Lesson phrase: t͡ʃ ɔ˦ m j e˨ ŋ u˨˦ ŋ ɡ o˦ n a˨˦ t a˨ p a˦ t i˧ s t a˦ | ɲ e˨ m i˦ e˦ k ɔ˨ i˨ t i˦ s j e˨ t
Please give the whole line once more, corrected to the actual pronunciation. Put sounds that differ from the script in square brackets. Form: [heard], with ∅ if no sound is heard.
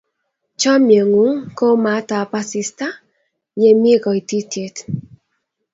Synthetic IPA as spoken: t͡ʃ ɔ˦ m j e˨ ŋ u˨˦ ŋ [k] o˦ [m] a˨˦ t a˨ p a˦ [s] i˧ s t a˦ | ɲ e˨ m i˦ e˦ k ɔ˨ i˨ t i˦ [t] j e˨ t